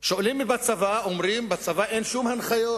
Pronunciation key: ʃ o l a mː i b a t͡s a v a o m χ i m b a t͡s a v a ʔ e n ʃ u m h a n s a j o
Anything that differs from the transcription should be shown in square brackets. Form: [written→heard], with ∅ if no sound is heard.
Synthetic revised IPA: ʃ o l [a→i] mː i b a t͡s a v a o m [χ→ʁ] i m b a t͡s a v a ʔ e n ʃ u m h a n [s→χ] a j o